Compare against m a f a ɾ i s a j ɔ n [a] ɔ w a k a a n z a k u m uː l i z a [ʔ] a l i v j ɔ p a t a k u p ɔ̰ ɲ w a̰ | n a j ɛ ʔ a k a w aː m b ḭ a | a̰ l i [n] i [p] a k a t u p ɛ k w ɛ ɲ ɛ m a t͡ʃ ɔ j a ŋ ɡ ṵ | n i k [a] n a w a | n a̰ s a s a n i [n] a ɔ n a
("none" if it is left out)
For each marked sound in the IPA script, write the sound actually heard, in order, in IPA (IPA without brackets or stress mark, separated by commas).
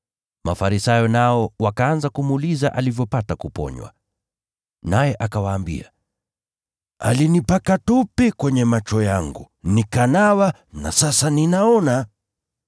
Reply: a, ʔ, n, p, a, n